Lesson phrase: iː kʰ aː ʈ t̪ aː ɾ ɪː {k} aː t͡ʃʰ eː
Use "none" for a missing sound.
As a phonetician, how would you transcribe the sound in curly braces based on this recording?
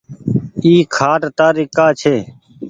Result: k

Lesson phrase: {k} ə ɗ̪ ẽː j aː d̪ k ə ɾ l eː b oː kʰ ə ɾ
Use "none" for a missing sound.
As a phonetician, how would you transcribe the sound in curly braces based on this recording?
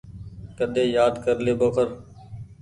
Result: k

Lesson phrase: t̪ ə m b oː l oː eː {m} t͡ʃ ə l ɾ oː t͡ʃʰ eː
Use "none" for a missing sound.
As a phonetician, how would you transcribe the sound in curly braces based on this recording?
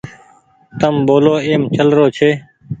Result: m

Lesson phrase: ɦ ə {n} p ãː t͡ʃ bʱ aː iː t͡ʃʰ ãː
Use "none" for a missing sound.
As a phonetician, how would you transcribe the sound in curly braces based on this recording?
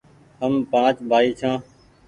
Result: m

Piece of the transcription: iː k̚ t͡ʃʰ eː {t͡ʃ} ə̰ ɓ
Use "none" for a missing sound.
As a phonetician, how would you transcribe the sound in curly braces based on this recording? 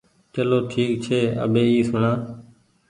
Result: none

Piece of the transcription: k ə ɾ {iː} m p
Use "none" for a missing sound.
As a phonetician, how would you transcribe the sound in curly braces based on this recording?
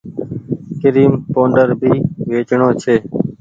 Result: iː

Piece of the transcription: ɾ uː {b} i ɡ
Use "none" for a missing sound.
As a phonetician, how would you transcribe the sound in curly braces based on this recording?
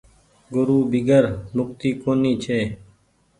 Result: b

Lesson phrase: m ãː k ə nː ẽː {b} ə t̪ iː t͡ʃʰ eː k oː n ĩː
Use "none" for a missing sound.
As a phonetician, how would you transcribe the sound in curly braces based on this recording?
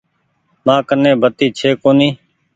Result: b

